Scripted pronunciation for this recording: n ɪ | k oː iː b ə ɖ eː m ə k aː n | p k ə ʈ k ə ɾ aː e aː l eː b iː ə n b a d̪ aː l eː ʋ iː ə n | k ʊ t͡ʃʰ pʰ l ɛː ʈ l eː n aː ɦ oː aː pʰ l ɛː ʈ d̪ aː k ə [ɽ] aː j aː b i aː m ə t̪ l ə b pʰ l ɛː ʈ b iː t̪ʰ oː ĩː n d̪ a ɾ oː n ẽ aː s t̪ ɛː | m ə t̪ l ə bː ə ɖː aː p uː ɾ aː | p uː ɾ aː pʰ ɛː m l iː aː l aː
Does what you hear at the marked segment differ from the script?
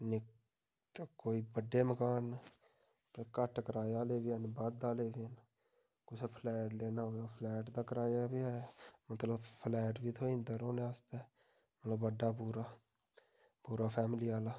yes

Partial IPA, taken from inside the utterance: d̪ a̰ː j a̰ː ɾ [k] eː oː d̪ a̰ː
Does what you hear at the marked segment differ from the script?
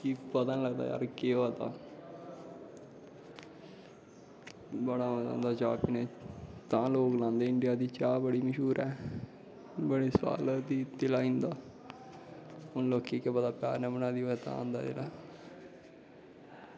no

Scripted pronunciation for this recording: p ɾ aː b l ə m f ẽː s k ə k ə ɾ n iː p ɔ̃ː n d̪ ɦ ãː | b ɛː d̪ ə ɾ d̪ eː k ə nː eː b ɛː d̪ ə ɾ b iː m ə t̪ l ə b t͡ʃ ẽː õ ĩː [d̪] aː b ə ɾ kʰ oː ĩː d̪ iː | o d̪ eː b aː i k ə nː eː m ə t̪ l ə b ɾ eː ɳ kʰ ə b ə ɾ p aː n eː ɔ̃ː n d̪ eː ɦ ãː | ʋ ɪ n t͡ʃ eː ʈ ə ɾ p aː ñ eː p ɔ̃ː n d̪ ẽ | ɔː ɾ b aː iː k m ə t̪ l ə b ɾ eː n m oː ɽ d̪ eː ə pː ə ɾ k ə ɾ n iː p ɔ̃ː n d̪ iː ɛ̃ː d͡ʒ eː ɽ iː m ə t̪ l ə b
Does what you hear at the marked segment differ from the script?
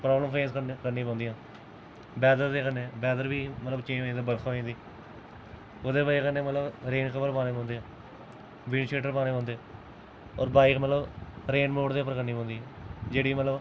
no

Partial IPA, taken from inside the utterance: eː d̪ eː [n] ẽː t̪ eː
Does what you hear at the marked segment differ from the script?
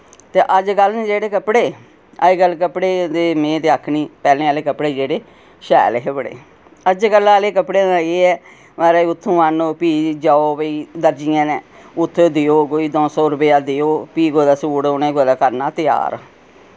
yes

